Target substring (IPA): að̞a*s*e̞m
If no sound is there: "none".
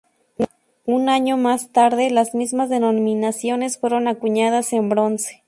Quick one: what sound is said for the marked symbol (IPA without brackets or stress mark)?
s